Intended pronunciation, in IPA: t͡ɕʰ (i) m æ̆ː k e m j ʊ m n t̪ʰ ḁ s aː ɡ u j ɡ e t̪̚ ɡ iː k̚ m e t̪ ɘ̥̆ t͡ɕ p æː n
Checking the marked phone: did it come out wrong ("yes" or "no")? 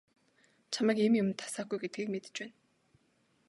yes